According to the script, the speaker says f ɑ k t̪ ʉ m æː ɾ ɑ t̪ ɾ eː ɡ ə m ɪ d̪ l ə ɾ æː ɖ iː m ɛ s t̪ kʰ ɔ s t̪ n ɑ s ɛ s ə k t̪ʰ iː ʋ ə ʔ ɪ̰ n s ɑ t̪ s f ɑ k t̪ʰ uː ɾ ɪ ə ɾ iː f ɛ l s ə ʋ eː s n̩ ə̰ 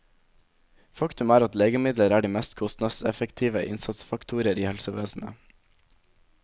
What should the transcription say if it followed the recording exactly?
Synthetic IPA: f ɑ k t̪ ʉ m æː ɾ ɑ t̪ l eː ɡ ə m ɪ d̪ l ə ɾ æː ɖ iː m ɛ s t̪ kʰ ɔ s t̪ n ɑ s ɛ f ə k t̪ʰ iː ʋ ə ʔ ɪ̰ n s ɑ t̪ s f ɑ k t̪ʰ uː ɾ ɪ ə ɾ iː h ɛ l s ə ʋ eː s n̩ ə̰